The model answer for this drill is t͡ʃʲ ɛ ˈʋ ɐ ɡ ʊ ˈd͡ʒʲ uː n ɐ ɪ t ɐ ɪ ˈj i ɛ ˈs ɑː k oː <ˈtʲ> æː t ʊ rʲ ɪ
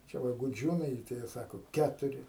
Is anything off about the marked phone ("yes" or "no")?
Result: yes